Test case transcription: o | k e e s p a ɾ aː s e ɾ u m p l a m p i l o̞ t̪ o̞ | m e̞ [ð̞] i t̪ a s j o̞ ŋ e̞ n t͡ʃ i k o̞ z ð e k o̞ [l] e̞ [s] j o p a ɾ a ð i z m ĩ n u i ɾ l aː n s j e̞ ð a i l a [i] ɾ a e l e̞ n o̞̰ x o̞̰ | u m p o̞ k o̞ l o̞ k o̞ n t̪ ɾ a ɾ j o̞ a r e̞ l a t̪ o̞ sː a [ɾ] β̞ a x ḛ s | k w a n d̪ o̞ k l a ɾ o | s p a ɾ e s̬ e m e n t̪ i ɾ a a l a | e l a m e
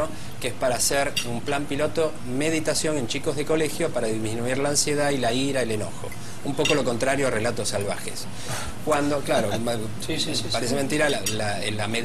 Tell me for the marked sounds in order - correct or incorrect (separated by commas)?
correct, correct, incorrect, correct, incorrect